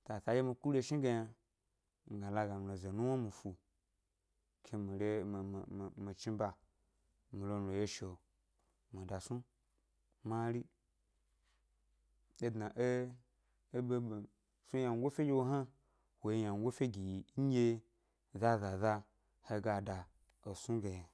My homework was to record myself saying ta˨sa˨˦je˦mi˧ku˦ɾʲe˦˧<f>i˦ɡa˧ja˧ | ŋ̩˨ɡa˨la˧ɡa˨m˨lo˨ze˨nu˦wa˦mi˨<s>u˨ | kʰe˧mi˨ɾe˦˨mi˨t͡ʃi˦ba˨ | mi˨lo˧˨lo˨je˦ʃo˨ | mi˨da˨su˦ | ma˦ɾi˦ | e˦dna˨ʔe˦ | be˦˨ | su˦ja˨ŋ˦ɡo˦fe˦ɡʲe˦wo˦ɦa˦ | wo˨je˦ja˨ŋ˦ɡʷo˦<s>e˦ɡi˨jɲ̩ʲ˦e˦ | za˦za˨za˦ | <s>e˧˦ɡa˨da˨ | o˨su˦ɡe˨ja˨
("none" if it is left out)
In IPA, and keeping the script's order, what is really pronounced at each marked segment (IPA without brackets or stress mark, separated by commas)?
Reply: ʃ, f, f, h